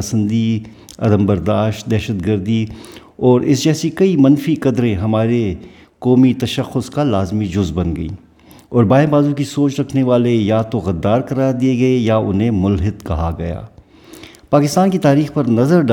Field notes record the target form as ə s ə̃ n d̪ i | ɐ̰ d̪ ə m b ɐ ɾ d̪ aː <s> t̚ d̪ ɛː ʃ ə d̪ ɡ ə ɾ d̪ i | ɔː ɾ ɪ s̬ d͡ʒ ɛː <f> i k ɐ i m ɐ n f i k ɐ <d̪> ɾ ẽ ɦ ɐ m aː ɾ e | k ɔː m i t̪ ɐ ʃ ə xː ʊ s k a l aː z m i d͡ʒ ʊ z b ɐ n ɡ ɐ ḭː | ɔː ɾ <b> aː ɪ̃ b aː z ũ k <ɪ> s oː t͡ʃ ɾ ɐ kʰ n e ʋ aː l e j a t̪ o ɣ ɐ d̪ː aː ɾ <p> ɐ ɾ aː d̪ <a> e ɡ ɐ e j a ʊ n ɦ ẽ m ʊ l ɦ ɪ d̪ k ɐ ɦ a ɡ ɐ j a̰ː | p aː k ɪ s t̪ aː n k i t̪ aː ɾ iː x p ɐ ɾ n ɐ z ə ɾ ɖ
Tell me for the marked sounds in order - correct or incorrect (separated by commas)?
incorrect, incorrect, correct, correct, incorrect, incorrect, incorrect